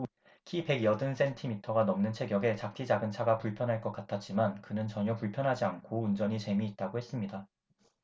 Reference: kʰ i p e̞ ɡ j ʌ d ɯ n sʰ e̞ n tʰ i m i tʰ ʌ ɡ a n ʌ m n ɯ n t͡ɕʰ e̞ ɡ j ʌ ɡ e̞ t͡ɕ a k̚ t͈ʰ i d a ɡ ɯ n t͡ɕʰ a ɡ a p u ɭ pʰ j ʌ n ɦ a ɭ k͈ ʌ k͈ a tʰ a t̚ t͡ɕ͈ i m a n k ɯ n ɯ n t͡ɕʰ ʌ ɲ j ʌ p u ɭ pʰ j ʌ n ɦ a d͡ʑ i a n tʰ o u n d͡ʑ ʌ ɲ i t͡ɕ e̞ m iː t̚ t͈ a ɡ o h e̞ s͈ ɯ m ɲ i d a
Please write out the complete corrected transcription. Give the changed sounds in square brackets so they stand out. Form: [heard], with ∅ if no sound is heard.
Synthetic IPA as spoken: kʰ i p e̞ ɡ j ʌ d ɯ n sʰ e̞ n tʰ i m i tʰ ʌ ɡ a n ʌ m n ɯ n t͡ɕʰ e̞ ɡ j ʌ ɡ e̞ t͡ɕ a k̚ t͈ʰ i [d͡ʑ] a ɡ ɯ n t͡ɕʰ a ɡ a p u ɭ pʰ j ʌ n ɦ a ɭ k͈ ʌ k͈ a tʰ a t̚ t͡ɕ͈ i m a n k ɯ n ɯ n [t͡ɕ] ʌ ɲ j ʌ p u ɭ pʰ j ʌ n ɦ a d͡ʑ i a n [kʰ] o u n d͡ʑ ʌ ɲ i t͡ɕ e̞ m iː t̚ t͈ a ɡ o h e̞ s͈ ɯ m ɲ i d a